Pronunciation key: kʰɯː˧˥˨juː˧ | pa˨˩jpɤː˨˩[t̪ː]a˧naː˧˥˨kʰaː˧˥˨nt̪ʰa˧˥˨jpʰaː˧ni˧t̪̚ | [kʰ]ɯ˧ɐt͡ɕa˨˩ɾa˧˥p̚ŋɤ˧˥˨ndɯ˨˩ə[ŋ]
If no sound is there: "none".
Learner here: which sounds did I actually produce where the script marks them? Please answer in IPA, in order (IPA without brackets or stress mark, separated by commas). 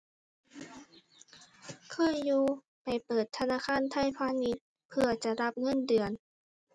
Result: t̪ʰː, pʰ, n